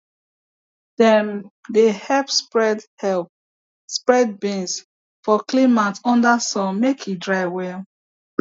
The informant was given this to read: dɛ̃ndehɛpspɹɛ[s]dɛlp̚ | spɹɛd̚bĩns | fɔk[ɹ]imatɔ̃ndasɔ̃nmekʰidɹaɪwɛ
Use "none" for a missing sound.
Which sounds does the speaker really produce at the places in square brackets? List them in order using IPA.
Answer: none, l

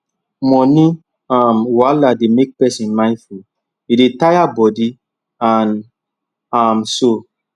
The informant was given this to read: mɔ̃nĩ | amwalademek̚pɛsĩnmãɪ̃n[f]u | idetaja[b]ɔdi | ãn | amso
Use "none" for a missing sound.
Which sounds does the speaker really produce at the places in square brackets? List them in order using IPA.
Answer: f, b

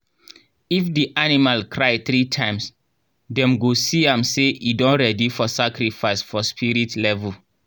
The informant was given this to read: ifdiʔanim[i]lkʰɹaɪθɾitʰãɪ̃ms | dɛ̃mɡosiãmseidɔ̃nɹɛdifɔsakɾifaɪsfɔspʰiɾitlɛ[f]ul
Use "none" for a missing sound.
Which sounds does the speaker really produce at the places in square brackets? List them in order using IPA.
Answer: a, v

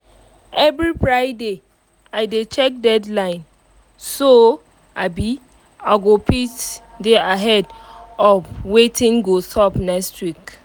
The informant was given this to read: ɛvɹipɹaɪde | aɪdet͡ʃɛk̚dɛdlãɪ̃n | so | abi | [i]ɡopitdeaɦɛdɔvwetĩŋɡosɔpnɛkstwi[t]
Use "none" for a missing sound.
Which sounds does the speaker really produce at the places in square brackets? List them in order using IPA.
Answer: a, k

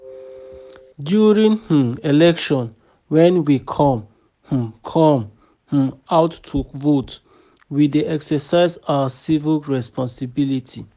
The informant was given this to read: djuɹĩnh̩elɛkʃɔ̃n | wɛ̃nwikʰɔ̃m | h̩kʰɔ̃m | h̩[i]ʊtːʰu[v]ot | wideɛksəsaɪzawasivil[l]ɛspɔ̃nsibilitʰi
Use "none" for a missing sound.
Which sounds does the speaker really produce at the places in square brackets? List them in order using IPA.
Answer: a, v, ɹ

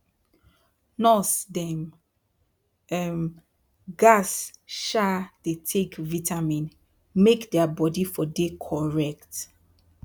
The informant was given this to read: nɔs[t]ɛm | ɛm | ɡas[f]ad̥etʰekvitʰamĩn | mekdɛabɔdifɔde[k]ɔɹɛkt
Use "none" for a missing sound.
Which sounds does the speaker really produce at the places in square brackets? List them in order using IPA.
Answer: d, ʃ, kʰ

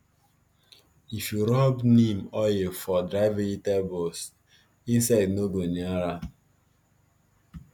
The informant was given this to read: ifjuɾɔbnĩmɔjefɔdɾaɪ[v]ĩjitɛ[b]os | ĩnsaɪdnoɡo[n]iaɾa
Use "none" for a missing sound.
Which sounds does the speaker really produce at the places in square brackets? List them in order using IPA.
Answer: v, b, n

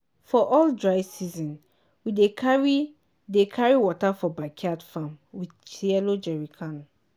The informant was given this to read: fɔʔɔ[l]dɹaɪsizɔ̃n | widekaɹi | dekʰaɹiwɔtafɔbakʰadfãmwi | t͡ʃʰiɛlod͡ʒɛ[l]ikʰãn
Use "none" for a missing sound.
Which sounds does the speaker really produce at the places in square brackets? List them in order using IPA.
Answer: l, ɹ

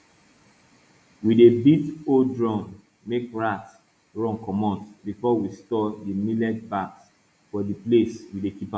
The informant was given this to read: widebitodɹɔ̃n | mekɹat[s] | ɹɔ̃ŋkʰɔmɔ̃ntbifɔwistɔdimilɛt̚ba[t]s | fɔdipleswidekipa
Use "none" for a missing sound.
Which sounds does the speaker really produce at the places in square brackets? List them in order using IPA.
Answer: s, k

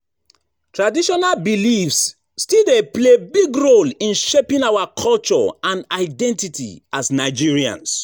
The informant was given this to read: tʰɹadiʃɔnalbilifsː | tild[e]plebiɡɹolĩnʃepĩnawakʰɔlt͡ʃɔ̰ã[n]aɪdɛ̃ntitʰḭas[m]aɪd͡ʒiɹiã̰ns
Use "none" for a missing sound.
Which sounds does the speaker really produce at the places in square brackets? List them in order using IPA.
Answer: e, n, n

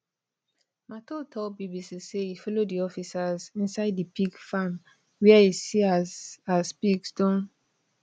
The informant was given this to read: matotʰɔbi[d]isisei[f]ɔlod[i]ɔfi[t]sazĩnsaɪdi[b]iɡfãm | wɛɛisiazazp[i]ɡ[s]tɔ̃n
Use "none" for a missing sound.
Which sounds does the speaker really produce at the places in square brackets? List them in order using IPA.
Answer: b, f, i, none, p, i, s

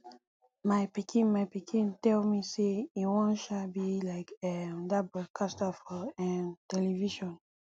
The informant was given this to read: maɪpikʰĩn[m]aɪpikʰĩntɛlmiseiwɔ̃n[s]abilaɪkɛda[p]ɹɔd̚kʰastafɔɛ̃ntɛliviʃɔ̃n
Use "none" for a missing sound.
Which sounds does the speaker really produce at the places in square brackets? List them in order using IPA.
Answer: m, ʃ, b

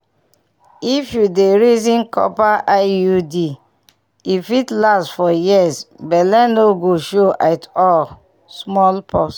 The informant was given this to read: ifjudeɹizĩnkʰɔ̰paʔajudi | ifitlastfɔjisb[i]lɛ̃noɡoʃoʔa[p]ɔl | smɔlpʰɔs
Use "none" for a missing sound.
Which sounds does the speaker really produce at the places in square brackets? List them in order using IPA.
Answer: ɛ, t

